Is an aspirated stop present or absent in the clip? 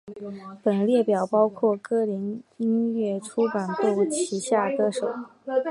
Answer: present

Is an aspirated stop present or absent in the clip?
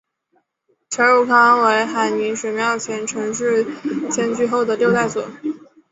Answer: present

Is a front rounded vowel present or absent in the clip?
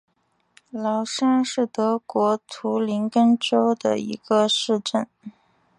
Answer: absent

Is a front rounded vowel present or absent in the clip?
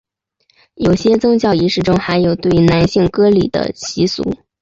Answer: absent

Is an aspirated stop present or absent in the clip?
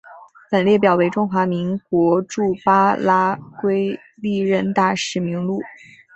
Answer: absent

